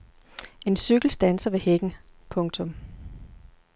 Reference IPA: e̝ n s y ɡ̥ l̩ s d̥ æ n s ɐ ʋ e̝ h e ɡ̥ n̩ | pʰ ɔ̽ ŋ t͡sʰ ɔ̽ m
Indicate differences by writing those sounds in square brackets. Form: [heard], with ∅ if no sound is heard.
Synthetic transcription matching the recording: e̝ n s y ɡ̥ l̩ s d̥ æ n s ɐ ʋ e̝ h e ɡ̥ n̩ | pʰ ɔ̽ ŋ t͡sʰ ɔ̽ m